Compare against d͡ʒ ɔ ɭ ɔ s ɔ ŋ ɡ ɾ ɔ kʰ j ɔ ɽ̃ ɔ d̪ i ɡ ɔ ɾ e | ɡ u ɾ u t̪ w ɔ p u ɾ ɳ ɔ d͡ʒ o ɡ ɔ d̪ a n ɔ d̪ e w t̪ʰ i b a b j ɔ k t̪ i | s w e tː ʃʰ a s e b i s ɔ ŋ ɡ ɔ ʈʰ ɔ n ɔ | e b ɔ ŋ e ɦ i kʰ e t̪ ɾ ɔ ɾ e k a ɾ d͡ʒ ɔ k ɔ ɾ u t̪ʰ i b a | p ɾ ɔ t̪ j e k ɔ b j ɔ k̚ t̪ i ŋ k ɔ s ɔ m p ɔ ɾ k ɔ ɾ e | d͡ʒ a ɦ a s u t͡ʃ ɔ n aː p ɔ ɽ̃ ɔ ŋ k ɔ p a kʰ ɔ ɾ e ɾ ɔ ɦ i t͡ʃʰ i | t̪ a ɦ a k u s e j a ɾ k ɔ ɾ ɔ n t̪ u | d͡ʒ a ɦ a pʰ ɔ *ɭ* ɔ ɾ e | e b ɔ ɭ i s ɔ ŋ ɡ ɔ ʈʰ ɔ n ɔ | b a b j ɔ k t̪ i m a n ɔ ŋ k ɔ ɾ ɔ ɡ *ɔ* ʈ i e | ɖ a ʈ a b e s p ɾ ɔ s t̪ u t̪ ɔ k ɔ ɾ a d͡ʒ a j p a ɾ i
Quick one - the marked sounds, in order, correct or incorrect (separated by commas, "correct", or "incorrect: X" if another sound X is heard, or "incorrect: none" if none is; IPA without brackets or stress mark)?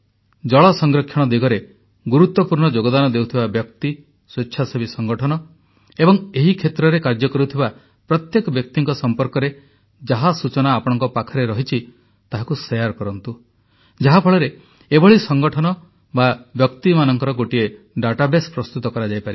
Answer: correct, incorrect: o